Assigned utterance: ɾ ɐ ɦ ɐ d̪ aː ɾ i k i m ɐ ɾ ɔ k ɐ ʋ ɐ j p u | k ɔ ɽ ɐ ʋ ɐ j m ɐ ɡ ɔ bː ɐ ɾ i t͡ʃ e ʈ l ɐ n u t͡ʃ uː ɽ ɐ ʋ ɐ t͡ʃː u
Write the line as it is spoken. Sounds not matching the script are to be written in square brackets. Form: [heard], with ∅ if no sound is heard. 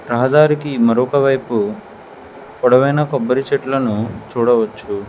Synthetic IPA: ɾ ɐ ɦ ɐ d̪ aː ɾ i k i m ɐ ɾ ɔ k ɐ ʋ ɐ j p u | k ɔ ɽ ɐ ʋ ɐ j [n] ɐ [k] ɔ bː ɐ ɾ i t͡ʃ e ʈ l ɐ n u t͡ʃ uː ɽ ɐ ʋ ɐ t͡ʃː u